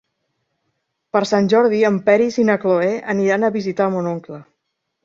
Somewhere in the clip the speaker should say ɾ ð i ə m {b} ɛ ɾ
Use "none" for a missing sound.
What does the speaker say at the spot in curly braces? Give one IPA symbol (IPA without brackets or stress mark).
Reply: p